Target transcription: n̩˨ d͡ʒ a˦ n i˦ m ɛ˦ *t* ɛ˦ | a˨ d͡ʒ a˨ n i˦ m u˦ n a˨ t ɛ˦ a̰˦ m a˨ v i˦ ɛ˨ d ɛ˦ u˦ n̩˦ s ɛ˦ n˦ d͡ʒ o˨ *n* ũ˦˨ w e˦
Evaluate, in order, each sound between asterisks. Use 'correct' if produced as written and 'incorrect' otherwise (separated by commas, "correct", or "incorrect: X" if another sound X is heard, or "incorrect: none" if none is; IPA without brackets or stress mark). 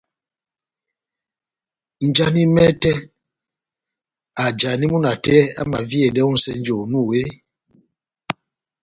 correct, correct